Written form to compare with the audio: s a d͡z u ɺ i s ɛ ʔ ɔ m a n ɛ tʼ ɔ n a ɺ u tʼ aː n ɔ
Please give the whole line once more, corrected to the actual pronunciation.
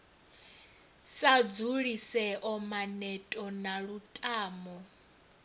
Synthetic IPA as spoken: s a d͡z u ɺ i s ɛ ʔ ɔ m a n ɛ tʼ ɔ n a ɺ u tʼ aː m ɔ